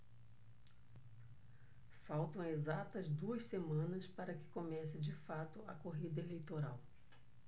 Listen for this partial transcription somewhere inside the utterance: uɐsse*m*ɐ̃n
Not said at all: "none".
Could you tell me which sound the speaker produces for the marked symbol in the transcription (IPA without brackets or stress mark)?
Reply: m